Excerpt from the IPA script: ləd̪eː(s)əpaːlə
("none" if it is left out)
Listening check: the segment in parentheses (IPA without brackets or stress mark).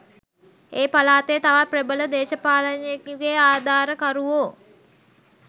ʃ